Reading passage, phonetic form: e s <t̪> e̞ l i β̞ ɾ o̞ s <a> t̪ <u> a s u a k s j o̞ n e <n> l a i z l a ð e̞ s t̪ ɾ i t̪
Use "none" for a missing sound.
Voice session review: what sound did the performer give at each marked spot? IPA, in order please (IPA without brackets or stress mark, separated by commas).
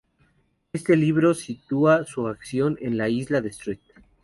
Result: t̪, i, u, n